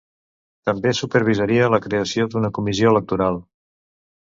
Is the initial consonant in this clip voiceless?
yes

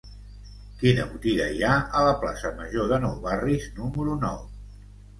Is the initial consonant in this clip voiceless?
yes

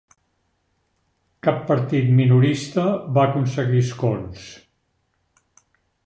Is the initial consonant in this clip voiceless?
yes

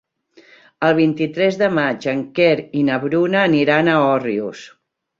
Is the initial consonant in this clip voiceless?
no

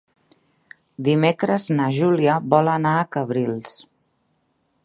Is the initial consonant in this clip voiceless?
no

